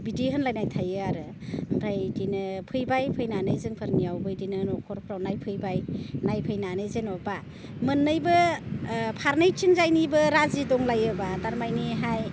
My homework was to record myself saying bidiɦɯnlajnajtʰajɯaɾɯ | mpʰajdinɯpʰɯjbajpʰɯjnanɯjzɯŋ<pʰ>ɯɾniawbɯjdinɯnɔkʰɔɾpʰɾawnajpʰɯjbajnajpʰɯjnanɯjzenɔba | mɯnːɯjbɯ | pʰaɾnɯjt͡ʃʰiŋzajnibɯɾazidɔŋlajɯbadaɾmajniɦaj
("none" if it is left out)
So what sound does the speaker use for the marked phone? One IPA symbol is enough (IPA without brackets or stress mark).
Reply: pʰ